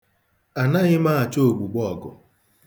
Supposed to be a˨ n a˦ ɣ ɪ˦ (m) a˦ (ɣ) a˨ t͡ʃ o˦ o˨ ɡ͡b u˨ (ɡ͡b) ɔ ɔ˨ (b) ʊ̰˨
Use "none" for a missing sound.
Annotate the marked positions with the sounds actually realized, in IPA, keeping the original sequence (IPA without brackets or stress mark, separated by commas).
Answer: m, none, ɡ͡b, ɡ